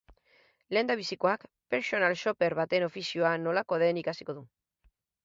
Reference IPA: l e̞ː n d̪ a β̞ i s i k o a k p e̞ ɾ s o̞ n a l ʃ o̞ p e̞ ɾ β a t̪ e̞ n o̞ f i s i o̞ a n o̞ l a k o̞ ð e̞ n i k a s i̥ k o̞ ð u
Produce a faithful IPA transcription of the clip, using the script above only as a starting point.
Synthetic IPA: l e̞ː n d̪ a β̞ i s i k o a k p e̞ ɾ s o̞ n a l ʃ o̞ p e̞ ɾ β a t̪ e̞ n o̞ f i s i o̞ a n o̞ l a k o̞ ð e̞ n i k a s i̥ k o̞ ð u